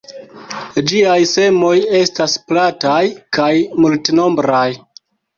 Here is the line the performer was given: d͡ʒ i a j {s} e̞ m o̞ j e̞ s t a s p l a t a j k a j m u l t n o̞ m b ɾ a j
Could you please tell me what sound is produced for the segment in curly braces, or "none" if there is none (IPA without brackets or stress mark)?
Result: s